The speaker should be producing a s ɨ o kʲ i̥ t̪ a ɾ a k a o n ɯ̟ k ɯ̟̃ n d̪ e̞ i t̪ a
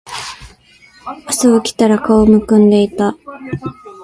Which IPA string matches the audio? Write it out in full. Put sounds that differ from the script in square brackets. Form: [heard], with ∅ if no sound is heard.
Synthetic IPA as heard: a s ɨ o kʲ i̥ t̪ a ɾ a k a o [m] ɯ̟ k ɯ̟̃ n d̪ e̞ i t̪ a